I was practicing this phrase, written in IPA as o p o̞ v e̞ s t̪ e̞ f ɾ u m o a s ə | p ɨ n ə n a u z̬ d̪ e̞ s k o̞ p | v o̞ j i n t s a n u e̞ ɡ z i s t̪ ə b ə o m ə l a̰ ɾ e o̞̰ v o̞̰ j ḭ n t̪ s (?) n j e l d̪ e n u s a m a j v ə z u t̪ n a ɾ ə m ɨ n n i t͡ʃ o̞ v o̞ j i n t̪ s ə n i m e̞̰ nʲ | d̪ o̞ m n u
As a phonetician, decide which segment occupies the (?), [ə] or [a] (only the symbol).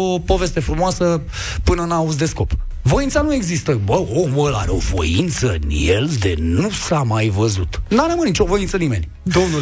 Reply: ə